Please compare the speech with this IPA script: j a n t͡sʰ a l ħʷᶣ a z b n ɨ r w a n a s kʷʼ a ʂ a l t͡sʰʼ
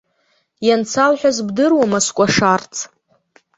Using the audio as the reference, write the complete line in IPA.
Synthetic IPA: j a n t͡sʰ a l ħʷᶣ a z b d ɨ r w a m a s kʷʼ a ʂ a r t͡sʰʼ

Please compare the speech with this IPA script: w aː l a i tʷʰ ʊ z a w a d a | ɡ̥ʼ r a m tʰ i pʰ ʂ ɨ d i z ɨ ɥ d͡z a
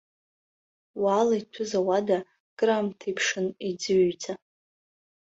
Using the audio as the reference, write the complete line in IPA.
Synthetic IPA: w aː l a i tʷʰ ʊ z a w a d a | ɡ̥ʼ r a m tʰ i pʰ ʂ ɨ n i d͡z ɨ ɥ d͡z a

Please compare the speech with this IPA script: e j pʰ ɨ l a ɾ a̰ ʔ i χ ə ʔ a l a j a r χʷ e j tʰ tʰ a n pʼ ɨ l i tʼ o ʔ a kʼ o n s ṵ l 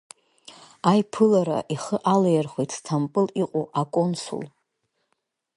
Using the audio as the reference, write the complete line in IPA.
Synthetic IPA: a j pʰ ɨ l a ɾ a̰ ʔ i χ ə ʔ a l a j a r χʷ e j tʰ tʰ a m pʼ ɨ l i qʼ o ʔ a kʼ o n s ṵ l

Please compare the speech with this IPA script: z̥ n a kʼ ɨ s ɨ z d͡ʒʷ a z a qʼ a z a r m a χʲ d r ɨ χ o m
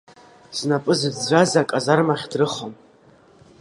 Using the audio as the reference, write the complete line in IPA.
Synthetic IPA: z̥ n a pʼ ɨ z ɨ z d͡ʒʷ a z a kʼ a z a r m a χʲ d r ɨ χ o m

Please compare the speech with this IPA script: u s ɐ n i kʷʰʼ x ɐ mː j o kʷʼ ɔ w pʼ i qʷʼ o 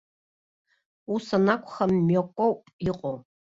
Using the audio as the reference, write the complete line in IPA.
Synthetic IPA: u s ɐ n a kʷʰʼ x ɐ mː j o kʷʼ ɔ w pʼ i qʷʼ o

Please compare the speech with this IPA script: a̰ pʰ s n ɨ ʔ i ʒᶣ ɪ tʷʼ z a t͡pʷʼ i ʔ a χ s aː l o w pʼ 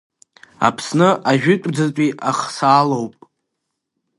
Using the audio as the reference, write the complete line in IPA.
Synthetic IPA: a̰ pʰ s n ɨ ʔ a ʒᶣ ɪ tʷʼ d͡z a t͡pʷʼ i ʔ a χ s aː l o w pʼ

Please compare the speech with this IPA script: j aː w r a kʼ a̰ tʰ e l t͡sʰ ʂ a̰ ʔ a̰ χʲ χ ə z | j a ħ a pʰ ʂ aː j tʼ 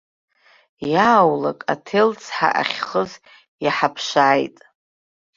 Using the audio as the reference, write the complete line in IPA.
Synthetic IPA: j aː w l a kʼ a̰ tʰ e l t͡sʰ ħ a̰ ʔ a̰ χʲ χ ə z | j a ħ a pʰ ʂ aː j tʼ

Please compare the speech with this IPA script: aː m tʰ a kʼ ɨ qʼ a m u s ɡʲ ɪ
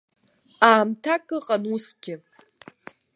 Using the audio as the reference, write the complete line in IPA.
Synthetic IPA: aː m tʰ a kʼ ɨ qʼ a n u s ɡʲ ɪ

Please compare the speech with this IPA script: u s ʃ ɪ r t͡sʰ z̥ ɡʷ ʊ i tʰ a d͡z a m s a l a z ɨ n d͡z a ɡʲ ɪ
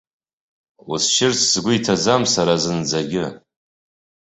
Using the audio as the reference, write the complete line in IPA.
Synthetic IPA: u s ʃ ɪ r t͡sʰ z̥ ɡʷ ʊ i tʰ a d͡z a m s a ɾ a z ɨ n d͡z a ɡʲ ɪ

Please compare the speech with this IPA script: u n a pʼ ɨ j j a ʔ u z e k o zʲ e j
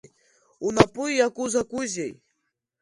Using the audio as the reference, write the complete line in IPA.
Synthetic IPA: u n a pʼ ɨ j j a k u z a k u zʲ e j

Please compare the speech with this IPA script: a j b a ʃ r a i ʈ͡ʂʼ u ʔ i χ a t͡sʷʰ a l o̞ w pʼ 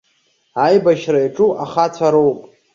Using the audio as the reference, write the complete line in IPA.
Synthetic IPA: a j b a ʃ r a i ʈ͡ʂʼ u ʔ a χ a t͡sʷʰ a ɾ o̞ w pʼ

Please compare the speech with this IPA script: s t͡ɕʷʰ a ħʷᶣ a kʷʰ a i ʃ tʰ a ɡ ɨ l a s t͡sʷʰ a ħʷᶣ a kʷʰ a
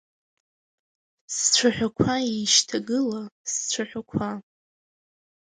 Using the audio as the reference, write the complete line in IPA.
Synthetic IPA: s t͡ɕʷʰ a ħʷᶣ a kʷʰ a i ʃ tʰ a ɡ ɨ l a s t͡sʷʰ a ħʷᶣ a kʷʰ a

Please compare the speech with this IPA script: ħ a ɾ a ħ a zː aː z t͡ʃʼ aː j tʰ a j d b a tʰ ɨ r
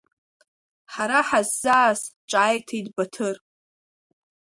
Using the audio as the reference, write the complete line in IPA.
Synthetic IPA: ħ a ɾ a ħ a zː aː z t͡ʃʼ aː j tʰ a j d b a tʰ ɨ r

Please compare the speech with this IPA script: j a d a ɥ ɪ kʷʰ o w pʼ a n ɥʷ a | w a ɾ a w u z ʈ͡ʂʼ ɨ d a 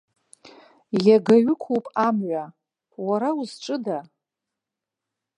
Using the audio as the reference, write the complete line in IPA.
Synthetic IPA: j a ɡ a ɥ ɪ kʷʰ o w pʼ a m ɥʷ a | w a ɾ a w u z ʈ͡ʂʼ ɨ d a

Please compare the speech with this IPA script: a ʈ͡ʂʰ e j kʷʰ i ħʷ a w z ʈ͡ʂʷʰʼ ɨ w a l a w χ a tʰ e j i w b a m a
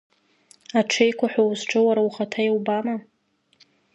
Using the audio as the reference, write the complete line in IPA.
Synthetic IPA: a ʈ͡ʂʰ e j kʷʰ a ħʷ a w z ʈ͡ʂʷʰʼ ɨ w a ɾ a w χ a tʰ a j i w b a m a

